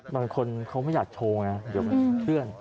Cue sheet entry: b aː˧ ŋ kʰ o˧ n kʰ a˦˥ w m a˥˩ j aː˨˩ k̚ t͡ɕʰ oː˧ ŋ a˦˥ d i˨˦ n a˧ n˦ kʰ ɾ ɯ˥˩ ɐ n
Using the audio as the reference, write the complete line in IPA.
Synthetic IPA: b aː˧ ŋ kʰ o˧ n kʰ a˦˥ w m a˥˩ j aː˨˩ k̚ t͡ɕʰ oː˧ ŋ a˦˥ d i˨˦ m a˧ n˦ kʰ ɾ ɯ˥˩ ə n